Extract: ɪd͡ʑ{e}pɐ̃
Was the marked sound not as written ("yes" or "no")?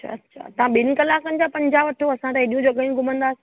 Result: yes